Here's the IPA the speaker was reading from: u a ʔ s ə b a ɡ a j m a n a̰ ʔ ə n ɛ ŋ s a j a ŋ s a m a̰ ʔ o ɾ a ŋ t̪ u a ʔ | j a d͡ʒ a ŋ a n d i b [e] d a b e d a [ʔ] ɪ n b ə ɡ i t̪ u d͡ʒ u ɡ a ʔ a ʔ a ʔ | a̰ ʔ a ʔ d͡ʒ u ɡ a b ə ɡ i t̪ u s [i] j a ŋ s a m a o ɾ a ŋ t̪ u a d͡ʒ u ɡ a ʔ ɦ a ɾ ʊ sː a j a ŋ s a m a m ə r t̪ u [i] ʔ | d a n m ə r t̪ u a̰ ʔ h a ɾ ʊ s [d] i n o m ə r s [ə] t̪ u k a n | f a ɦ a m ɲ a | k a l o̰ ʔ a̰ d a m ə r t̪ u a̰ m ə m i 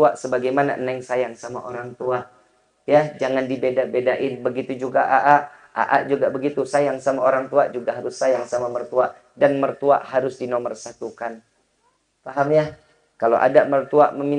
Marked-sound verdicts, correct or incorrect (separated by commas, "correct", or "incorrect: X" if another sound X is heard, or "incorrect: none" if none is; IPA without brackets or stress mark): correct, correct, incorrect: a, incorrect: a, correct, incorrect: a